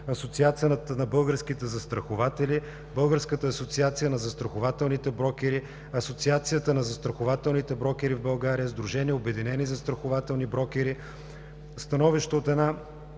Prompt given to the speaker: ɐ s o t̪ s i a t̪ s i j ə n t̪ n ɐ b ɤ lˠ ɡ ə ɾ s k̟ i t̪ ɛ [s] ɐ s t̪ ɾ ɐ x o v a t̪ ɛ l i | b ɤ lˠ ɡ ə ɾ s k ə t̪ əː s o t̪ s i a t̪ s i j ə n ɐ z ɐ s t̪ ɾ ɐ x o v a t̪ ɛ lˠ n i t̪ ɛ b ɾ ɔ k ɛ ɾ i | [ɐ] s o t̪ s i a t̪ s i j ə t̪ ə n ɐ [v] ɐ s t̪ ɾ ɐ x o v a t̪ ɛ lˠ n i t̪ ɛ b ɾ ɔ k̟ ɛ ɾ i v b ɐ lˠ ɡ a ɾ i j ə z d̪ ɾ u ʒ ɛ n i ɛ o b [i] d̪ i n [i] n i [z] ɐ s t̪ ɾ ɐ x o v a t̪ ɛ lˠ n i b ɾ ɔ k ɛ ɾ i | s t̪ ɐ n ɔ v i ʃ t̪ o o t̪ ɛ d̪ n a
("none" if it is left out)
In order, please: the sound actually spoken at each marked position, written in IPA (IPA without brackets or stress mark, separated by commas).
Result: z, ɐ, z, ɛ, ɛ, z